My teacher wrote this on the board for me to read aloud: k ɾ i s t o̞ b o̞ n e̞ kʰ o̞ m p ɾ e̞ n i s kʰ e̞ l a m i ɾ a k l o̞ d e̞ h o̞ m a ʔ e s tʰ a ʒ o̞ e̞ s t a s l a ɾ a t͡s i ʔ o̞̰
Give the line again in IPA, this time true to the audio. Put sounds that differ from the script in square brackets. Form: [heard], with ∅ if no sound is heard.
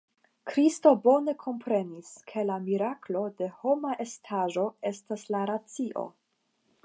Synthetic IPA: k ɾ i s t o̞ b o̞ n e̞ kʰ o̞ m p ɾ e̞ n i s kʰ e̞ l a m i ɾ a k l o̞ d e̞ h o̞ m a ʔ e s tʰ a ʒ o̞ e̞ s t a s l a ɾ a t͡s i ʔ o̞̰

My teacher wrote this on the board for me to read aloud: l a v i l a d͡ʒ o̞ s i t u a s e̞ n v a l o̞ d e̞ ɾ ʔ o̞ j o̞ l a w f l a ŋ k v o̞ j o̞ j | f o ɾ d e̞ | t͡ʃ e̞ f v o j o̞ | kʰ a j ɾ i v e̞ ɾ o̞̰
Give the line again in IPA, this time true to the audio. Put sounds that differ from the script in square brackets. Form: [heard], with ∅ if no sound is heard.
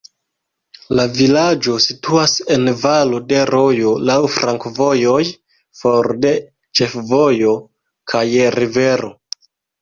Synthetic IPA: l a v i l a d͡ʒ o̞ s i t u a s e̞ n v a l o̞ d e̞ ɾ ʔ o̞ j o̞ l a w f [ɾ] a ŋ k v o̞ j o̞ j | f o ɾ d e̞ | t͡ʃ e̞ f v o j o̞ | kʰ a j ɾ i v e̞ ɾ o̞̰

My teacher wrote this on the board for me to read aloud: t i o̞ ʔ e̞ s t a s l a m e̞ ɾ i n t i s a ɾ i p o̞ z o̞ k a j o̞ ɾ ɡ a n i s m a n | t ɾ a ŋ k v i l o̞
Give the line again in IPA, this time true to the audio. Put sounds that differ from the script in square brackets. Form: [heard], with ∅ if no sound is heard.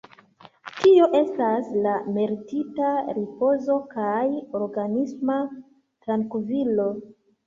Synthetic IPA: t i o̞ ʔ e̞ s t a s l a m e̞ ɾ i [∅] t i [t] a ɾ i p o̞ z o̞ k a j o̞ ɾ ɡ a n i s m a [∅] | t ɾ a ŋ k v i l o̞

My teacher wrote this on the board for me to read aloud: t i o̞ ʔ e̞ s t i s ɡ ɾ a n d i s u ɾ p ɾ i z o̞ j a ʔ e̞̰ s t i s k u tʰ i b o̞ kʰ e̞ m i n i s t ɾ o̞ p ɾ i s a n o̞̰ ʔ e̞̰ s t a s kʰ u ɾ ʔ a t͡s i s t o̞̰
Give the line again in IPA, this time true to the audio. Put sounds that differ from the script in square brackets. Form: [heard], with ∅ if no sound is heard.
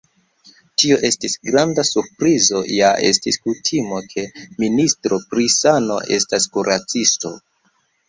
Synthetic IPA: t i o̞ ʔ e̞ s t i s ɡ ɾ a n d [a] s u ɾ p ɾ i z o̞ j a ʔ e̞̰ s t i s k u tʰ i [m] o̞ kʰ e̞ m i n i s t ɾ o̞ p ɾ i s a n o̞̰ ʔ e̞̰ s t a s [k] u ɾ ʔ a t͡s i s t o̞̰

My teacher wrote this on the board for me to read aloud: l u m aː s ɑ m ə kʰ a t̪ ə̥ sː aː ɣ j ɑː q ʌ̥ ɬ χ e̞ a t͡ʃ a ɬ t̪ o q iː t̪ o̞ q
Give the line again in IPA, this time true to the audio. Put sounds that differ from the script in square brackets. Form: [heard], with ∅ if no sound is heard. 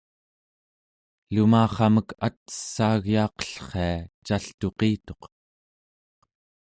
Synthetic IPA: l u m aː [χ] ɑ m ə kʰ a t̪ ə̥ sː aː ɣ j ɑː q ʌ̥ ɬ χ e̞ a t͡ʃ a ɬ t̪ o q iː t̪ o̞ q

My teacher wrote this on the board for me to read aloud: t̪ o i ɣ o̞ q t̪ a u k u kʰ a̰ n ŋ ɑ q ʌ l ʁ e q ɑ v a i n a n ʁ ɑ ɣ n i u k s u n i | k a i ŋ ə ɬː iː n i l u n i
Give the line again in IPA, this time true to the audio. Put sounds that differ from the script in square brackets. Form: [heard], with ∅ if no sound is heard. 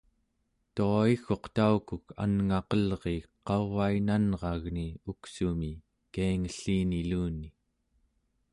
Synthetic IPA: t̪ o i [x] o̞ q t̪ a u k u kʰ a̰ n ŋ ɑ q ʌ l ʁ e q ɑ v a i n a n ʁ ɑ ɣ n i u k s u [m] i | k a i ŋ ə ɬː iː n i l [uː] n i

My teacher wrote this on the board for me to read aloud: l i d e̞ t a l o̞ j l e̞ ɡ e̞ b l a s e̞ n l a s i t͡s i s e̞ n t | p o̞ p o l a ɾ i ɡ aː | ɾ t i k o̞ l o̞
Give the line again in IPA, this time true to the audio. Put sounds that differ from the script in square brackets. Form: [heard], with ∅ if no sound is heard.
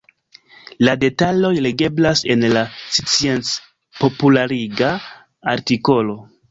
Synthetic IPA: l [a] d e̞ t a l o̞ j l e̞ ɡ e̞ b l a s e̞ n l a s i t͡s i [∅] e̞ n [t͡s] | p o̞ p [u] l a ɾ i ɡ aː | ɾ t i k o̞ l o̞

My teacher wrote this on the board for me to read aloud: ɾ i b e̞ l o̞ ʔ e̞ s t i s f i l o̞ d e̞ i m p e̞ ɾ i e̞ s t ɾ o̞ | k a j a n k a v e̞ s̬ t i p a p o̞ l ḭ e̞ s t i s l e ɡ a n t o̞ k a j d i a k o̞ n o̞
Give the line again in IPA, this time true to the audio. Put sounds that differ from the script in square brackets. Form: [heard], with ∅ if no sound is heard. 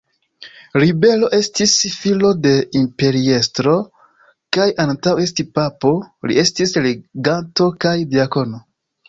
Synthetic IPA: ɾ i b e̞ l o̞ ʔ e̞ s t i s f i l o̞ d e̞ i m p e̞ ɾ i e̞ s t ɾ o̞ | k a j a n [t] a [w] e̞ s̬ t i p a p o̞ l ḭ e̞ s t i s l e ɡ a n t o̞ k a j d i a k o̞ n o̞

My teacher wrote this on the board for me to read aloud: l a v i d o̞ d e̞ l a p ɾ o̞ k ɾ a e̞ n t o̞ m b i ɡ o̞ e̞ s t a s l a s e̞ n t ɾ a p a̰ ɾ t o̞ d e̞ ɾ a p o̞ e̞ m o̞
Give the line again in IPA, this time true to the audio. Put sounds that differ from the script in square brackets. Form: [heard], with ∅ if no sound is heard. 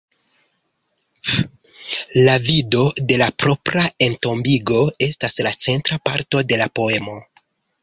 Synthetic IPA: l a v i d o̞ d e̞ l a p ɾ o̞ [p] ɾ a e̞ n t o̞ m b i ɡ o̞ e̞ s t a s l a [t͡s] e̞ n t ɾ a p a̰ ɾ t o̞ d e̞ [l] a p o̞ e̞ m o̞

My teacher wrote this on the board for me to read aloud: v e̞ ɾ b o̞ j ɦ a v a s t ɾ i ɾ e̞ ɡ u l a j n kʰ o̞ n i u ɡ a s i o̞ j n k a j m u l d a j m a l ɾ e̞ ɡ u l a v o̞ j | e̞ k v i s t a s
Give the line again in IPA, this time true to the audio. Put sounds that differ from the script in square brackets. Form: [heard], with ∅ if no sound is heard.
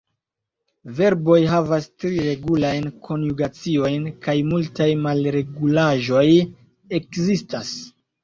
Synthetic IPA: v e̞ ɾ b o̞ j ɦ a v a s t ɾ i ɾ e̞ ɡ u l a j n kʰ o̞ n [j] u ɡ a [t͡s] i o̞ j n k a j m u l [t] a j m a l ɾ e̞ ɡ u l a [ʒ] o̞ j | e̞ k [z] i s t a s

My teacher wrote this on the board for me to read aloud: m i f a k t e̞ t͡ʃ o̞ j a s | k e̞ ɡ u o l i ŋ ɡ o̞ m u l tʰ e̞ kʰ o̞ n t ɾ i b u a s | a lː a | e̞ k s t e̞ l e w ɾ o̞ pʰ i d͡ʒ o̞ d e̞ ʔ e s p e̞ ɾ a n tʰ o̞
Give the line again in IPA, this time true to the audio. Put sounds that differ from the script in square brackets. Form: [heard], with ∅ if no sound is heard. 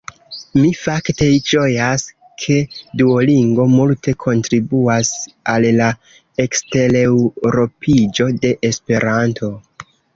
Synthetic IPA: m i f a k t e̞ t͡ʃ o̞ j a s | [kʰ] e̞ [d] u o l i ŋ ɡ o̞ m u l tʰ e̞ kʰ o̞ n t ɾ i b u a s | a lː a | e̞ k s t e̞ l e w ɾ o̞ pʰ i d͡ʒ o̞ d e̞ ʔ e s p e̞ ɾ a n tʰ o̞

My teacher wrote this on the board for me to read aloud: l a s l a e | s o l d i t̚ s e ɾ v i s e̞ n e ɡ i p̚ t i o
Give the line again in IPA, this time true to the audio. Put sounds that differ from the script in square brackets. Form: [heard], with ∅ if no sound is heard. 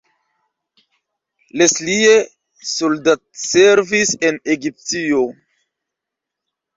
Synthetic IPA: l [e] s l [i] e | s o l d [a] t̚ s e ɾ v i s e̞ n e ɡ i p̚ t i o

